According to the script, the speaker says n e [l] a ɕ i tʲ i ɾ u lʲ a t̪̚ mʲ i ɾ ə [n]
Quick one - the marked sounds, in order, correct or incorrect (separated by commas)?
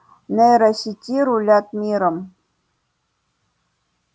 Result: incorrect, incorrect